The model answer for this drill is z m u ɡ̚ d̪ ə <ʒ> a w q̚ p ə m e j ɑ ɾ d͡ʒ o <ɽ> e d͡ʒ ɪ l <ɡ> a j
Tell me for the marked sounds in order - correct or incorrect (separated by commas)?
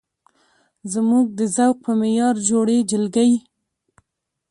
incorrect, correct, correct